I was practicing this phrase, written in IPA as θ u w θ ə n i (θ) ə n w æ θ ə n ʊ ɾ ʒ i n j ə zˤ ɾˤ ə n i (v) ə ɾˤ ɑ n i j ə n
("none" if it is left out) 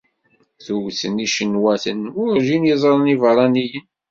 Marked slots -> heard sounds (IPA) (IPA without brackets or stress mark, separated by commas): ʃ, v